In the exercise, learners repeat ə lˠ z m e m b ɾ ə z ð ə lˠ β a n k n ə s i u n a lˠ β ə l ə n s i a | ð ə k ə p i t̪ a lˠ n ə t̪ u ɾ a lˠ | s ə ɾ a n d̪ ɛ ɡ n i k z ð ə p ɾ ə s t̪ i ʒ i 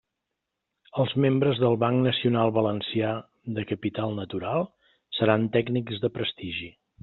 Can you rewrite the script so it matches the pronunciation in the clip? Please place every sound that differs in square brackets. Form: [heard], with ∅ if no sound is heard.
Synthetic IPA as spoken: ə lˠ z m e m b ɾ ə z ð ə lˠ β a [ŋ] k n ə s i u n a lˠ β ə l ə n s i a | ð ə k ə p i t̪ a lˠ n ə t̪ u ɾ a lˠ | s ə ɾ a n [t̪] ɛ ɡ n i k z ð ə p ɾ ə s t̪ i ʒ i